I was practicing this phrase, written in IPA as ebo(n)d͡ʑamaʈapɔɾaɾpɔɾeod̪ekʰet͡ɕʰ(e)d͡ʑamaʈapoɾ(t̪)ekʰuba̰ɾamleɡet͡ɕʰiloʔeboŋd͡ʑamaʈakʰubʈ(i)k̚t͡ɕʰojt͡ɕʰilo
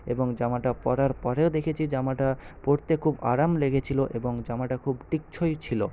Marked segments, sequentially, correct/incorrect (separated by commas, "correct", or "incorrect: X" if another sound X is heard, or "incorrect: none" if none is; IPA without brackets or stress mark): incorrect: ŋ, incorrect: i, correct, correct